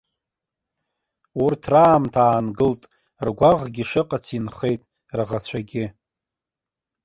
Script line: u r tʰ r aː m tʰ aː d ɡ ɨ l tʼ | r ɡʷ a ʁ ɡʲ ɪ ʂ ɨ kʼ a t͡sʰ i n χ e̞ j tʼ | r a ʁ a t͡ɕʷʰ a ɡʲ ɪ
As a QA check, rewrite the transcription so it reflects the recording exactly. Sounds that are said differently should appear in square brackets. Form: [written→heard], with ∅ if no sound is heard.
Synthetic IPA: u r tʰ r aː m tʰ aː [d→n] ɡ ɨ l tʼ | r ɡʷ a ʁ ɡʲ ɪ ʂ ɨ [kʼ→qʼ] a t͡sʰ i n χ e̞ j tʼ | r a ʁ a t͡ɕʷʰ a ɡʲ ɪ